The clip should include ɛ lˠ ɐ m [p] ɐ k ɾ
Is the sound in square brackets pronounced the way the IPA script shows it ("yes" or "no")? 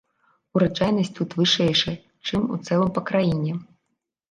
yes